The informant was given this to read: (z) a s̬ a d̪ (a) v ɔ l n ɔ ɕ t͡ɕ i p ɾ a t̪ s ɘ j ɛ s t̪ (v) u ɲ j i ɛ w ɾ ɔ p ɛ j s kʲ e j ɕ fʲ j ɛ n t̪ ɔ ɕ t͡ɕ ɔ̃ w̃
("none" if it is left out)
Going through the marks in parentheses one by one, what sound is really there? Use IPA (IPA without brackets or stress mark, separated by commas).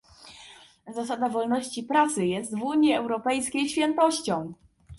z, a, v